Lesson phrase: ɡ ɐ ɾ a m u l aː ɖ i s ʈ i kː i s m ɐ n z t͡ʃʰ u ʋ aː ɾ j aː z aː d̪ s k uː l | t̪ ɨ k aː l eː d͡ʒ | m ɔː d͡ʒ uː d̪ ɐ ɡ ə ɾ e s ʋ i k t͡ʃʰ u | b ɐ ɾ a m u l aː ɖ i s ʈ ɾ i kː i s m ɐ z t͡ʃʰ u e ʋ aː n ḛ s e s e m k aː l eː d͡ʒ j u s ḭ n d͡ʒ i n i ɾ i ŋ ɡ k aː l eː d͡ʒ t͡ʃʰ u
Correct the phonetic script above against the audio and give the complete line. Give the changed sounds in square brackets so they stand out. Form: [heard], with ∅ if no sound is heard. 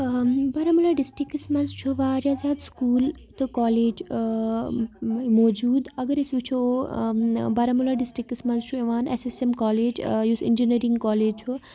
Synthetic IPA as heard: [b] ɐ ɾ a m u l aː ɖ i s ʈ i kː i s m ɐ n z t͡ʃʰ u ʋ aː ɾ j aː z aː d̪ s k uː l | t̪ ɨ k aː l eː d͡ʒ | m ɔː d͡ʒ uː d̪ ɐ ɡ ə ɾ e s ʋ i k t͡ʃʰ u | b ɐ ɾ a m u l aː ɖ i s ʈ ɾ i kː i s m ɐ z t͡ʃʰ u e ʋ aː n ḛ s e s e m k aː l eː d͡ʒ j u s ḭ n d͡ʒ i n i ɾ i ŋ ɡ k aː l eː d͡ʒ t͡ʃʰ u